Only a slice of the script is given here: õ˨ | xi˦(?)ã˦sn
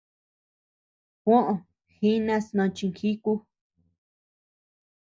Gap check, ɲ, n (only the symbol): n